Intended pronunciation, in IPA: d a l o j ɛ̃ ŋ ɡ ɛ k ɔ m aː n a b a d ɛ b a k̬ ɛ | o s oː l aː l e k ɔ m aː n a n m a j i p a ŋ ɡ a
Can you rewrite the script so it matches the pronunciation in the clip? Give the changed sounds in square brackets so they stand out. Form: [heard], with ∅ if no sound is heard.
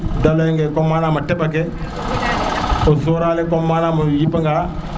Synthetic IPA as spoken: d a l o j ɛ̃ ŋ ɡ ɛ k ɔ m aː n a [m] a [t] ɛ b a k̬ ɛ | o s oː [ɾ] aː l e k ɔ m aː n a [∅] m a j i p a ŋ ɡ a